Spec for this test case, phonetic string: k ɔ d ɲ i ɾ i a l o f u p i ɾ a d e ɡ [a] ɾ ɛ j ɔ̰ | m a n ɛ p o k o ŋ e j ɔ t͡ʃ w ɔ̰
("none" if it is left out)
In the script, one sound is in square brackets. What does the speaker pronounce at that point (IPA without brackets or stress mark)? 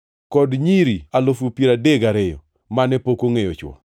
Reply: a